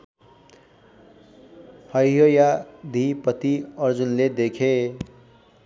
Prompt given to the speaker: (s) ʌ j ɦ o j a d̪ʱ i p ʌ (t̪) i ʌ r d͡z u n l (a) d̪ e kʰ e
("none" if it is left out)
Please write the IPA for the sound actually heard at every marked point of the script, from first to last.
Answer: h, t̪, e

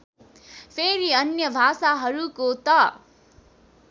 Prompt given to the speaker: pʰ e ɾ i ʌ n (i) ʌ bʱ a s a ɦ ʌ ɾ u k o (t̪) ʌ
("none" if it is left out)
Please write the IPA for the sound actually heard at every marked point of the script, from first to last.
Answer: j, t̪

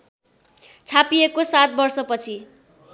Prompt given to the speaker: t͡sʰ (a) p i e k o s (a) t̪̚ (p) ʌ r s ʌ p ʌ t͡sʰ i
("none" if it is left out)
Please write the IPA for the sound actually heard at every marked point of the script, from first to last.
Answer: a, a, b

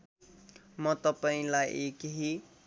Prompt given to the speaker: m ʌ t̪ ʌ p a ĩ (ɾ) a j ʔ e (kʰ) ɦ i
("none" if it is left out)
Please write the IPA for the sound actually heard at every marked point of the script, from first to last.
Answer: l, k

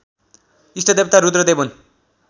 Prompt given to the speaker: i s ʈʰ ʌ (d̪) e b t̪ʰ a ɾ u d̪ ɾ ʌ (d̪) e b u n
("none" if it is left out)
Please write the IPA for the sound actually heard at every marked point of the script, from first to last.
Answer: d̪, d̪

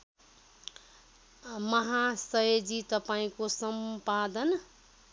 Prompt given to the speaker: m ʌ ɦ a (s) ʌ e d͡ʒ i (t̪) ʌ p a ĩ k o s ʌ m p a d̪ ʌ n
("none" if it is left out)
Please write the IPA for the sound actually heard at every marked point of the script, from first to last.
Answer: s, t̪

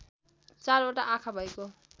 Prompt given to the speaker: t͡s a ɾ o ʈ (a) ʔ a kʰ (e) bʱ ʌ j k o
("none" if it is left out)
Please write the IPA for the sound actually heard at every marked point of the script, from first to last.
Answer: a, a

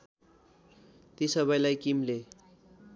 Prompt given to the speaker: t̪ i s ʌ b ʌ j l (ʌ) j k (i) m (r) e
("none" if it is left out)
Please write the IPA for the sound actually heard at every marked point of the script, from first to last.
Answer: a, i, l

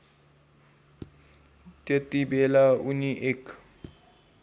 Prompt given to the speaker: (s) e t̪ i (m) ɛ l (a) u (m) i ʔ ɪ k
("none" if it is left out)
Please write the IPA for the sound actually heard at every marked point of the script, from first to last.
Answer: t, b, a, n

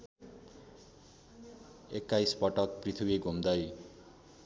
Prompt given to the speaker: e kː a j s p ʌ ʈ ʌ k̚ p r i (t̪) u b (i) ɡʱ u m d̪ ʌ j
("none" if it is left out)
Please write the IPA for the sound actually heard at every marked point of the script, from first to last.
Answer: t̪ʰ, i

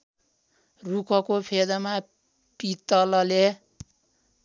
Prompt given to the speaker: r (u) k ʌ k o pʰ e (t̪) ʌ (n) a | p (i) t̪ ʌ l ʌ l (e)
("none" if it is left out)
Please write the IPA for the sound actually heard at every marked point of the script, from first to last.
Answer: u, d̪, m, i, e

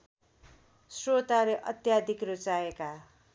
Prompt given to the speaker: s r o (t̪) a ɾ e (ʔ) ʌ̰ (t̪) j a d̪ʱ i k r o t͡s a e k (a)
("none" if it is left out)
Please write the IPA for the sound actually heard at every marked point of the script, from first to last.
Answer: t̪, ʔ, t̪, a

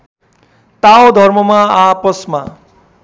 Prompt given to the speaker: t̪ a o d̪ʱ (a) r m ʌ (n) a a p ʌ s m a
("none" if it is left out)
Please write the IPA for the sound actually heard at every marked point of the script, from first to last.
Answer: ʌ, m

